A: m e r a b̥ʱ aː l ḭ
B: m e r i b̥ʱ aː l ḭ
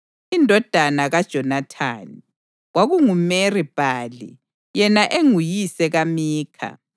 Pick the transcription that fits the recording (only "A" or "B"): B